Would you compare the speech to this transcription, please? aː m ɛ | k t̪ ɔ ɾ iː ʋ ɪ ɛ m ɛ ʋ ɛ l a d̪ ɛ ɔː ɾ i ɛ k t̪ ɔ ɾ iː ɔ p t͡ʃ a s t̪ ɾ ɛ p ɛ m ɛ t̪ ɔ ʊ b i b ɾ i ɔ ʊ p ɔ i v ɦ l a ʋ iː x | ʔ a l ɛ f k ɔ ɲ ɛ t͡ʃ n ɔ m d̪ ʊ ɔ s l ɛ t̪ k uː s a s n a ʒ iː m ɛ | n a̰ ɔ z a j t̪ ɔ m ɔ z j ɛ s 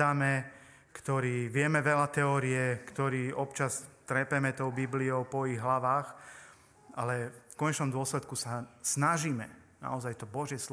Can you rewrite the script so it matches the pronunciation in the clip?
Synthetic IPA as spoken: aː m ɛ | k t̪ ɔ ɾ iː ʋ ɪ ɛ m ɛ ʋ ɛ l a t̪ ɛ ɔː ɾ i ɛ k t̪ ɔ ɾ iː ɔ p t͡ʃ a s t̪ ɾ ɛ p ɛ m ɛ t̪ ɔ ʊ b i b l i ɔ ʊ p ɔ i ɣ ɦ l a ʋ aː x | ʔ a l ɛ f k ɔ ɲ ɛ t͡ʃ n ɔ m d̪ ʊ ɔ s l ɛ t̪ k u s a s n a ʒ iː m ɛ | n a̰ ɔ z a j t̪ ɔ b ɔ ʒ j ɛ s